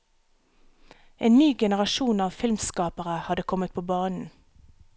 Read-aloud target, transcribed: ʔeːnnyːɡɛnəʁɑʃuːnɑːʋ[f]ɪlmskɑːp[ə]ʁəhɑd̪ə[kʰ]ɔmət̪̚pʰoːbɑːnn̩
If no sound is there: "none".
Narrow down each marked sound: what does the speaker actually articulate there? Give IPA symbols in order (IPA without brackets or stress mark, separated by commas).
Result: f, ə, kʰ